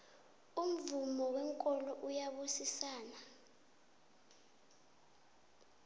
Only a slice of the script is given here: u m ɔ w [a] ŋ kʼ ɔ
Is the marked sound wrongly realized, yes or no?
yes